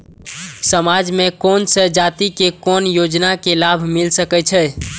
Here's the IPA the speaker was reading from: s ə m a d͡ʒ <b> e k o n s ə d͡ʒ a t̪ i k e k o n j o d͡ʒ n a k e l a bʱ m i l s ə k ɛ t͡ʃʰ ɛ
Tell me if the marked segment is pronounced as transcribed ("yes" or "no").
no